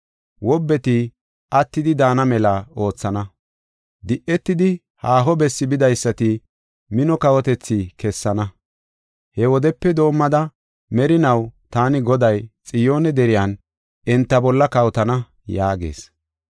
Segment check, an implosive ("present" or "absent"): absent